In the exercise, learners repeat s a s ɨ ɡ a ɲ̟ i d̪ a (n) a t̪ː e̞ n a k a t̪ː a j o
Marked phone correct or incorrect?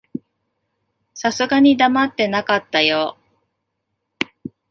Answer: incorrect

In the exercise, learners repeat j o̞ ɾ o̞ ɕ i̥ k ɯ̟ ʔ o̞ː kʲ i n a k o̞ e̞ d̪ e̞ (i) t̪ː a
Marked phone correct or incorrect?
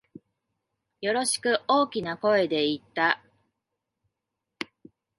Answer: correct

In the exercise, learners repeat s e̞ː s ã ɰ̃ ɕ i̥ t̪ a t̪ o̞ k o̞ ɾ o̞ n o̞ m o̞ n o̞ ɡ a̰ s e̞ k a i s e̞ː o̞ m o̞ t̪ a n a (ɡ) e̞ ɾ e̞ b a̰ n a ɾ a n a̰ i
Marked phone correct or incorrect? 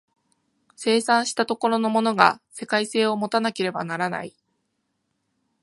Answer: incorrect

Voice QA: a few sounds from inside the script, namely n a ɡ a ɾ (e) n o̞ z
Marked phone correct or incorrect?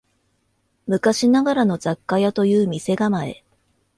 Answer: incorrect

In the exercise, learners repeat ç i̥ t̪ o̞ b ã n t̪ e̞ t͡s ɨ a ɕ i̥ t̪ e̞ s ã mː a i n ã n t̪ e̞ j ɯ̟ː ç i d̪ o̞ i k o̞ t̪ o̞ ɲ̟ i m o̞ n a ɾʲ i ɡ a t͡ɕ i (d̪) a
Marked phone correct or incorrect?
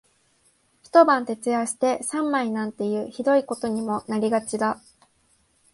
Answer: correct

